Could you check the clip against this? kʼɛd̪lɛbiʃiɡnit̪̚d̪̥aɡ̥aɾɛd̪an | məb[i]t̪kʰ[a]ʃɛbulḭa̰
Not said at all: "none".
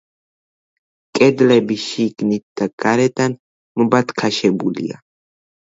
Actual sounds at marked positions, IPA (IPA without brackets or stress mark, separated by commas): a, a